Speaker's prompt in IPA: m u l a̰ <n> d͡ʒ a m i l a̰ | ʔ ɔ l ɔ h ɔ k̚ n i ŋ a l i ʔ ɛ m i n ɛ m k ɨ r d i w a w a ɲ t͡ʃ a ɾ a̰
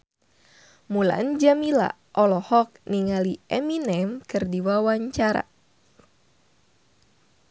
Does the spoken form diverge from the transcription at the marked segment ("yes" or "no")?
no